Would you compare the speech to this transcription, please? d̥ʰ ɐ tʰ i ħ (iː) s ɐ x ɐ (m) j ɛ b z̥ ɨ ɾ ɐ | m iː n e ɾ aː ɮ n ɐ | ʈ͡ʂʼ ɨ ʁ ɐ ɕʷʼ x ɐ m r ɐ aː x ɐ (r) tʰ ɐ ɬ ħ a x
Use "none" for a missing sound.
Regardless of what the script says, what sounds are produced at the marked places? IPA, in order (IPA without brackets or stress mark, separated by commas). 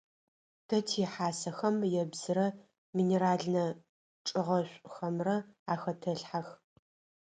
aː, m, none